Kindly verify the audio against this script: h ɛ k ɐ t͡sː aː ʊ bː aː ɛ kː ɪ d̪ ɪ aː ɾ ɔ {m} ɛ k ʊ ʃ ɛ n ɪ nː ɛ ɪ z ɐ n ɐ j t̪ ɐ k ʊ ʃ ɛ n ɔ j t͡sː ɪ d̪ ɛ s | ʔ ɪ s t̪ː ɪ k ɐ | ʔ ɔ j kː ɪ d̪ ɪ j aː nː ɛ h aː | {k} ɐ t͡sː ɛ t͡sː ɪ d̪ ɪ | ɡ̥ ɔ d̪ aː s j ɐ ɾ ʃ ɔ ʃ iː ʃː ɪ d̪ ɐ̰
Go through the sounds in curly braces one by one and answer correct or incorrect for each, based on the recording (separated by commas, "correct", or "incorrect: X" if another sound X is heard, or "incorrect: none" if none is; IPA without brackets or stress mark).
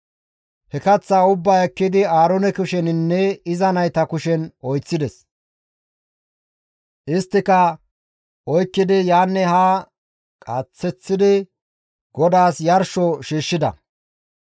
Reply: incorrect: n, incorrect: kʼ